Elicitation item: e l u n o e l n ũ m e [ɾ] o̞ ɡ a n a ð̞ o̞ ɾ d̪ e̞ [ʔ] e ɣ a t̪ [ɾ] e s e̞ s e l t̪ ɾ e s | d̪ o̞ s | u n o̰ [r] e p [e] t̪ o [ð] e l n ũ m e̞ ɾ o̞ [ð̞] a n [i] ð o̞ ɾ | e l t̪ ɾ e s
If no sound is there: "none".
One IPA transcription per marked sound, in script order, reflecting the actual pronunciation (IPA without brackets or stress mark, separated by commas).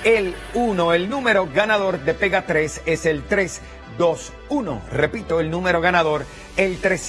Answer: ɾ, p, ɾ, r, i, none, ɣ̞, a